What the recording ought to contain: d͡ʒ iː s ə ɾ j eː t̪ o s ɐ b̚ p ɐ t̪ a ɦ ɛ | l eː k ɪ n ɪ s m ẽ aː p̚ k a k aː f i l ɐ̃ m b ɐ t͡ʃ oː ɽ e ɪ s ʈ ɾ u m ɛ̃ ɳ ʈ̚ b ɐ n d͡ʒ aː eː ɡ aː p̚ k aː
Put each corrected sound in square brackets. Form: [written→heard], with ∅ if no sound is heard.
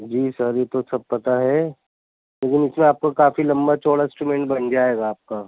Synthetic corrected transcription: d͡ʒ iː s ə ɾ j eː t̪ o s ɐ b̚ p ɐ t̪ a ɦ ɛ | l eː k ɪ n ɪ s m ẽ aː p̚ k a k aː f i l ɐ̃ m b [ɐ→a] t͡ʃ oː ɽ [e→a] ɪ s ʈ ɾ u m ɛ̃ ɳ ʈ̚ b ɐ n d͡ʒ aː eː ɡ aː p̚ k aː